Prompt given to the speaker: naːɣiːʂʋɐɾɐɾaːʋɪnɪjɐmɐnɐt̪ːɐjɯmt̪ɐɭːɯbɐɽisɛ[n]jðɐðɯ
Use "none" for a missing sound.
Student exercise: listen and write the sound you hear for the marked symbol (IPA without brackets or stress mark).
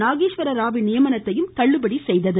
none